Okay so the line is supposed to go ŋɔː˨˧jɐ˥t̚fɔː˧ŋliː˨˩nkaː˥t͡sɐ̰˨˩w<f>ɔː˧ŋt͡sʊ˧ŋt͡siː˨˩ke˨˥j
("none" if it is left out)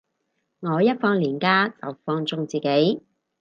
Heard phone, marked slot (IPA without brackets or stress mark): f